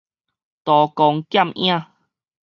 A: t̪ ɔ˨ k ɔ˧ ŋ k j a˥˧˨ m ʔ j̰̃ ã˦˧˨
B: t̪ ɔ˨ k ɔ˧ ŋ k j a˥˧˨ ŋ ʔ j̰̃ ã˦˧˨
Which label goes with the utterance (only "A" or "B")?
A